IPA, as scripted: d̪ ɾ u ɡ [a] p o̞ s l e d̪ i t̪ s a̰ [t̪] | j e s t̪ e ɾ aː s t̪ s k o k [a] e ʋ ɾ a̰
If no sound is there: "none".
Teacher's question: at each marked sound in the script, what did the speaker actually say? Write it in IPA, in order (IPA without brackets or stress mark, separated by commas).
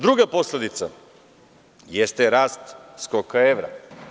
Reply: a, none, a